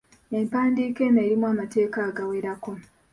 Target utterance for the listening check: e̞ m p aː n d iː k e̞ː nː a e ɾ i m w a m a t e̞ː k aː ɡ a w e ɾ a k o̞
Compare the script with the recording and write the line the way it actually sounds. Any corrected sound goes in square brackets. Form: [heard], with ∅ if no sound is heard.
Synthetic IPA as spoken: e̞ m p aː n d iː k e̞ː [n] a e ɾ i m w a m a t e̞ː k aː ɡ a w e ɾ a k o̞